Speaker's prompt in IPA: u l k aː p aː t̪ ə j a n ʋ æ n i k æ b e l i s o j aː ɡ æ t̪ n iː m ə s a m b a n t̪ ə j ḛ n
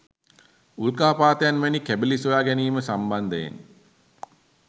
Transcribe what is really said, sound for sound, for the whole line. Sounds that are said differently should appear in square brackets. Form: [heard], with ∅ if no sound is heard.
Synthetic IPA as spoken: u l k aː p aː t̪ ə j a n ʋ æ n i k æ b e l i s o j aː ɡ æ [∅] n iː m ə s a m b a n [d̪] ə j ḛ n